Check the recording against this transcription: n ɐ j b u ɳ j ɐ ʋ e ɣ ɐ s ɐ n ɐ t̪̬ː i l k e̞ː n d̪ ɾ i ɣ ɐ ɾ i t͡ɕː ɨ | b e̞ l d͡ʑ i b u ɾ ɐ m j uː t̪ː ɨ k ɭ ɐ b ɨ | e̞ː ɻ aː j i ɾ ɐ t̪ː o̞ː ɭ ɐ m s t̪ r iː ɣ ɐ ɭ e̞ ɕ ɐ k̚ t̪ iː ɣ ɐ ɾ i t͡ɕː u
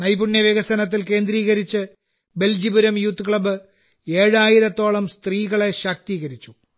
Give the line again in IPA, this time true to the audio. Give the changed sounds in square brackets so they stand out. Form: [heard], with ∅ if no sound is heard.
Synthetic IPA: n ɐ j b u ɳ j ɐ ʋ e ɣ ɐ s ɐ n ɐ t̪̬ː i l k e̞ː n d̪ ɾ [iː] ɣ ɐ ɾ i t͡ɕː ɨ | b e̞ l d͡ʑ i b u ɾ ɐ m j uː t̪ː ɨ k ɭ ɐ b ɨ | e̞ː ɻ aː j i ɾ ɐ t̪ː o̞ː ɭ ɐ m s t̪ r iː ɣ ɐ ɭ e̞ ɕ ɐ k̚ t̪ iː ɣ ɐ ɾ i t͡ɕː u